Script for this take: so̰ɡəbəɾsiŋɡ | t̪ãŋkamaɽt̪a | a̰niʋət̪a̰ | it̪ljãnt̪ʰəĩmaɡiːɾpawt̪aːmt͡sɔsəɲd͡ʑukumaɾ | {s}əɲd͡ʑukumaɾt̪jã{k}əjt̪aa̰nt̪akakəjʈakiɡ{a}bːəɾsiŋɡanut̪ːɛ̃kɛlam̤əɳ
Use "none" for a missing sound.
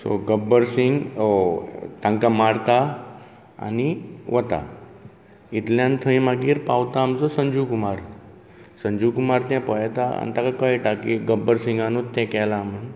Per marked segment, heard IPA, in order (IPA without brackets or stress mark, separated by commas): s, p, ə